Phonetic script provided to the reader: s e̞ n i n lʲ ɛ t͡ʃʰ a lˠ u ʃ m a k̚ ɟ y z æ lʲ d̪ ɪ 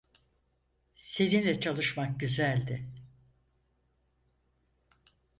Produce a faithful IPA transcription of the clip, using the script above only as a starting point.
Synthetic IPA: s e̞ n i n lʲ ɛ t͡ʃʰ a lˠ ɯ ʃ m a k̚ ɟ y z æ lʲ d̪ ɪ